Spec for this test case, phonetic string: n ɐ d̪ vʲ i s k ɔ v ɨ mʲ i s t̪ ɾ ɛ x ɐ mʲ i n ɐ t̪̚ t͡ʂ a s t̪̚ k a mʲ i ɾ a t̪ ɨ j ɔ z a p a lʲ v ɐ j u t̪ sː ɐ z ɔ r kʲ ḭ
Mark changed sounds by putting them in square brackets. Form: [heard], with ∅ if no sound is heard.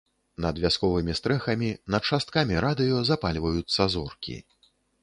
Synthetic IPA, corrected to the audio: n ɐ d̪ vʲ [a] s k ɔ v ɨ mʲ i s t̪ ɾ ɛ x ɐ mʲ i n ɐ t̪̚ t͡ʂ a s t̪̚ k a mʲ i ɾ a [d̪] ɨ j ɔ z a p a lʲ v ɐ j u t̪ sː ɐ z ɔ r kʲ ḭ